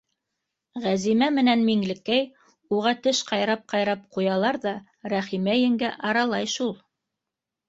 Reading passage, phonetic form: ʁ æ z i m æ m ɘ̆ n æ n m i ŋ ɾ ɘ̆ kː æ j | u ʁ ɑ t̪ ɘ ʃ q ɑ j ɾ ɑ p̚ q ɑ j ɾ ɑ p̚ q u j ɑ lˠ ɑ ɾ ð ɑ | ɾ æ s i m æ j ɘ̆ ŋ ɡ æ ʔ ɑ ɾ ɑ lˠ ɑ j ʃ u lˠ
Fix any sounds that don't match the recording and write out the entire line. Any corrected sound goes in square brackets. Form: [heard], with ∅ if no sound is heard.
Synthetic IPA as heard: ʁ æ z i m æ m ɘ̆ n æ n m i ŋ [l] ɘ̆ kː æ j | u ʁ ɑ t̪ ɘ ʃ q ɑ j ɾ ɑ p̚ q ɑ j ɾ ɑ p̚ q u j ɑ lˠ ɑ ɾ ð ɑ | ɾ æ [χ] i m æ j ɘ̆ ŋ ɡ æ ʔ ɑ ɾ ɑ lˠ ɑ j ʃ u lˠ